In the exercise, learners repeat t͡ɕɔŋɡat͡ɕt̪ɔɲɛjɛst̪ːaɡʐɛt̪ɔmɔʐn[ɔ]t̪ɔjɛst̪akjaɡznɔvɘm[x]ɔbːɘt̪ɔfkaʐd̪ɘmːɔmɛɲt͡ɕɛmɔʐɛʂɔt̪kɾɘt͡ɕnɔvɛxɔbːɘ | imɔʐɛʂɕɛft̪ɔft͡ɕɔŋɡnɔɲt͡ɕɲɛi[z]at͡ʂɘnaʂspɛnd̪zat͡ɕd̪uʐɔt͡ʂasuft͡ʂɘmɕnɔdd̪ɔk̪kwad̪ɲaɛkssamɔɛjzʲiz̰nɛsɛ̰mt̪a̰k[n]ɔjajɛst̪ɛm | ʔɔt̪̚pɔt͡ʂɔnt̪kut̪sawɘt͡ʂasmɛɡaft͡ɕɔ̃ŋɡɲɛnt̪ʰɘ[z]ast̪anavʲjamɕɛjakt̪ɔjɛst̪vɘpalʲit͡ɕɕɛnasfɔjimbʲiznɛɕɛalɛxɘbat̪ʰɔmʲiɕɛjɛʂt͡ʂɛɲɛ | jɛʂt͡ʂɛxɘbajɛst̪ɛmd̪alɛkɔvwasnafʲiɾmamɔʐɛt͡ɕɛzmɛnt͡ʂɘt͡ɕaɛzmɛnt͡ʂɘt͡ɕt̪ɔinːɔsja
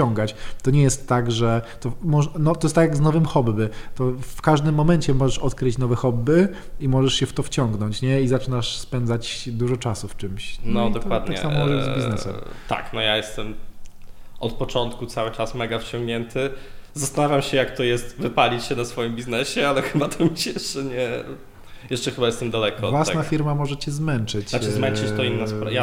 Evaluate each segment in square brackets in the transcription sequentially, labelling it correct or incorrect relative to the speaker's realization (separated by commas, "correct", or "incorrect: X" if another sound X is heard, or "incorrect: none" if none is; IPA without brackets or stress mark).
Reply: correct, correct, correct, correct, correct